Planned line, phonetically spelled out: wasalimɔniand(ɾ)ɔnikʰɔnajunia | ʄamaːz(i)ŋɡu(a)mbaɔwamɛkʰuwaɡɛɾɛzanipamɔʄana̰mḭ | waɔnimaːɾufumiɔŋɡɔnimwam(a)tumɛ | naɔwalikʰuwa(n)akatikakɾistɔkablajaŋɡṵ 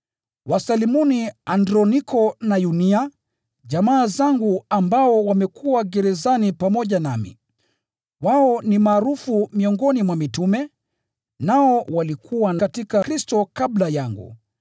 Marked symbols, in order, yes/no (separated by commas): yes, no, yes, no, yes